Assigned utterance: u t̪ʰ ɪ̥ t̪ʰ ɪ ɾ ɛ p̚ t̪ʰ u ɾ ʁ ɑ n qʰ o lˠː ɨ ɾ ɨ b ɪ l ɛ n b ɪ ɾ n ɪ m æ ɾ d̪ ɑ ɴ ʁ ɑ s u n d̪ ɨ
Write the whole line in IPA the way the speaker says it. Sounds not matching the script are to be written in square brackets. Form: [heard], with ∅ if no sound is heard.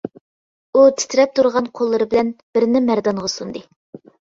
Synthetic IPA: u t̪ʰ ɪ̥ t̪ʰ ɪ ɾ ɛ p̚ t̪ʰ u ɾ ʁ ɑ n qʰ o lˠː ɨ ɾ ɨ b ɪ l ɛ n b ɪ ɾ n ɪ m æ ɾ d̪ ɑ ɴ ʁ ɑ s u n d̪ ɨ